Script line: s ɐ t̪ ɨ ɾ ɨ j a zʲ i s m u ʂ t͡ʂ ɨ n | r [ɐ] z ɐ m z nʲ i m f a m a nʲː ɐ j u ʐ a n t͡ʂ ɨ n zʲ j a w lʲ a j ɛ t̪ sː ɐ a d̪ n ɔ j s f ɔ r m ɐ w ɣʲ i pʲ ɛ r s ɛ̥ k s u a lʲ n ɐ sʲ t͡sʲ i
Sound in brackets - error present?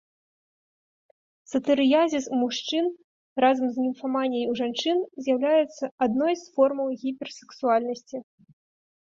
yes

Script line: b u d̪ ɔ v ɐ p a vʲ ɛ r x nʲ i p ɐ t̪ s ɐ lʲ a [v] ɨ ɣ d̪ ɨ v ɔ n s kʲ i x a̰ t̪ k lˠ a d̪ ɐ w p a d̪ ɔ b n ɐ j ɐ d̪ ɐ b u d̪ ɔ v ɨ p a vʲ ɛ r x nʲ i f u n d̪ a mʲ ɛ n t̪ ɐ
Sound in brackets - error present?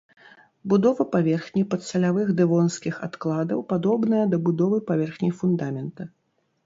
no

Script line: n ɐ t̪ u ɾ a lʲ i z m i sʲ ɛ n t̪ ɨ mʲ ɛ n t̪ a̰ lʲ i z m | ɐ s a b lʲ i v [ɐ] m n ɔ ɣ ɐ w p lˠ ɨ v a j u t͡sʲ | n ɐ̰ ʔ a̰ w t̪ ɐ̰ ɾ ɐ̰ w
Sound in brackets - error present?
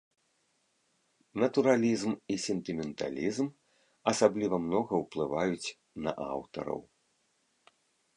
no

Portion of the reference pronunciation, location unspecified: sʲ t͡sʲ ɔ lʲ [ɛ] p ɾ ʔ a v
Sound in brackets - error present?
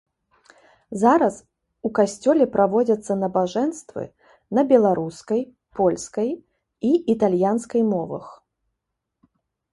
no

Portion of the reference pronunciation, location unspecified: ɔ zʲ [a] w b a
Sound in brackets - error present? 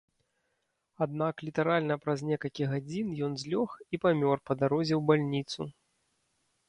yes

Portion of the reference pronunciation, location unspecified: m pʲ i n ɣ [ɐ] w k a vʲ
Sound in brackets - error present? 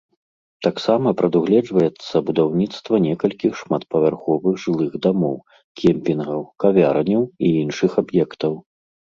no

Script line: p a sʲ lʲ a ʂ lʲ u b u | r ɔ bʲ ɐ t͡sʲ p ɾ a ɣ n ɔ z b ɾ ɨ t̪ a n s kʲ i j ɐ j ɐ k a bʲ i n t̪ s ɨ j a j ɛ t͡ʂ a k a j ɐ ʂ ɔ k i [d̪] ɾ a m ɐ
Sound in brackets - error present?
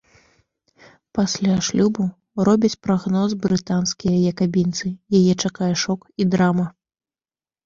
no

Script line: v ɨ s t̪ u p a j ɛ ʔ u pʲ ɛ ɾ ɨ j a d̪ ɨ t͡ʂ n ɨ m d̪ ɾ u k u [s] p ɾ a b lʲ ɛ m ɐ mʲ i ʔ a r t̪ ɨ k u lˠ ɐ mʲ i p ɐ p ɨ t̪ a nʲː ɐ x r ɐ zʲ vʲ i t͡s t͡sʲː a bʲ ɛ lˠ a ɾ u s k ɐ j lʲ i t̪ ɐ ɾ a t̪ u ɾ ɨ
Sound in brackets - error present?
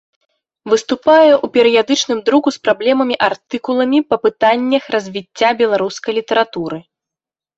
no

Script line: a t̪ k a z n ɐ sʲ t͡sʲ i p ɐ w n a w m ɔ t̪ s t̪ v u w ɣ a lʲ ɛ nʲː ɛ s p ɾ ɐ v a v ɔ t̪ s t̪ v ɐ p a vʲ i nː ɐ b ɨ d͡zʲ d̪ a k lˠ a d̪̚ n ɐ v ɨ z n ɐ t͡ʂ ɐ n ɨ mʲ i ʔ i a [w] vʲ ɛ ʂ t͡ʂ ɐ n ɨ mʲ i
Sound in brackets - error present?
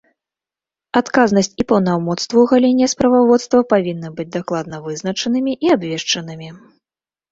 yes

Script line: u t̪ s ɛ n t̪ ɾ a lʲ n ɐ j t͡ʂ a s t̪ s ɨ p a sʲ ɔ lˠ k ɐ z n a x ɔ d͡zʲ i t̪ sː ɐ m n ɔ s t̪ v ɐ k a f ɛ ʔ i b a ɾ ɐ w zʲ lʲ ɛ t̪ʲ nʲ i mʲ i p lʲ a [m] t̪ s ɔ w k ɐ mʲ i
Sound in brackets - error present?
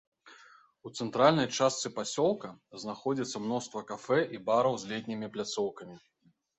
yes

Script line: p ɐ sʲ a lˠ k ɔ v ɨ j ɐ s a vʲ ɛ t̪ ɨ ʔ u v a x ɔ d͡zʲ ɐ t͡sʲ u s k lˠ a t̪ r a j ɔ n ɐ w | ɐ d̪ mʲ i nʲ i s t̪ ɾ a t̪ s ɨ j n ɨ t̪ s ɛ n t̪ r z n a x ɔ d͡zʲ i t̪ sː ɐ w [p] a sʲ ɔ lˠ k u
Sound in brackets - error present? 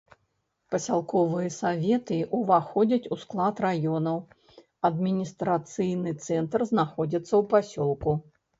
no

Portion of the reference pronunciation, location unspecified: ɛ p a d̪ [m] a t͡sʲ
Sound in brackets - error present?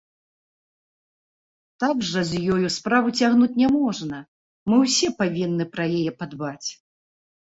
yes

